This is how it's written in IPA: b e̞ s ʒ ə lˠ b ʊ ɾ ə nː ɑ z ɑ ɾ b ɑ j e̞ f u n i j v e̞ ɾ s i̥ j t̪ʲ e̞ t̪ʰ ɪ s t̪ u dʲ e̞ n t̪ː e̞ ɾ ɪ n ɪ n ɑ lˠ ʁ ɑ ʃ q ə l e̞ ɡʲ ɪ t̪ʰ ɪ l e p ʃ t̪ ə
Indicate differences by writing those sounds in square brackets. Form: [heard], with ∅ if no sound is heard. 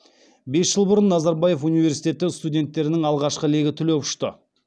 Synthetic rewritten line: b e̞ s ʒ ə lˠ b ʊ ɾ ə nː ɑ z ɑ ɾ b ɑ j e̞ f u n i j v e̞ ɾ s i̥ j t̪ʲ e̞ [t̪] ɪ s t̪ u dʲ e̞ n t̪ː e̞ ɾ ɪ n ɪ [ŋ] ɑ lˠ ʁ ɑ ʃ q ə l e̞ ɡʲ ɪ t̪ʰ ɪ l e p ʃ t̪ ə